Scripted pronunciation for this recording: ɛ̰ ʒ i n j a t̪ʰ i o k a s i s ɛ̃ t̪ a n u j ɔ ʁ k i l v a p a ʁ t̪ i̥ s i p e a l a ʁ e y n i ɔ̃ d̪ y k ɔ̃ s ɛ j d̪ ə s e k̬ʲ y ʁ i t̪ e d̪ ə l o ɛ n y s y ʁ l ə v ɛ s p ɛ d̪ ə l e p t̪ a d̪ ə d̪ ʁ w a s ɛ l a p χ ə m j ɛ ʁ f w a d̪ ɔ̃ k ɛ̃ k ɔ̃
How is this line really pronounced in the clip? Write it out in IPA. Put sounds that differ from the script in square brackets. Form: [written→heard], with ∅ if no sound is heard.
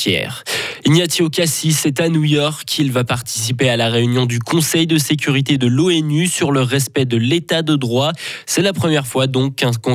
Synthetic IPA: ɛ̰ [ʒ→ʁ] i n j a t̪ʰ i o k a s i s [ɛ̃→ɛ] t̪ a n u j ɔ ʁ k i l v a p a ʁ t̪ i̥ s i p e a l a ʁ e y n [i→j] ɔ̃ d̪ y k ɔ̃ s ɛ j d̪ ə s e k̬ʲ y ʁ i t̪ e d̪ ə l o ɛ n y s y ʁ l ə [v→ʁ] ɛ s p ɛ d̪ ə l e [p→∅] t̪ a d̪ ə d̪ ʁ w a s ɛ l a p χ ə m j ɛ ʁ f w a d̪ ɔ̃ k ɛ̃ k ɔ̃